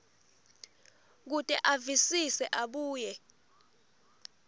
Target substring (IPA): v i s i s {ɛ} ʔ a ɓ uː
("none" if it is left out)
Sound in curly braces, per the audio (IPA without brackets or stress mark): ɛ